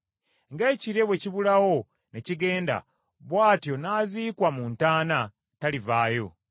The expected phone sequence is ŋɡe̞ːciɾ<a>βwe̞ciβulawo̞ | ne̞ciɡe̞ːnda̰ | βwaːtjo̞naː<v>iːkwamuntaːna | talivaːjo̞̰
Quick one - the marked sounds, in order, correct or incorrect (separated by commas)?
incorrect, incorrect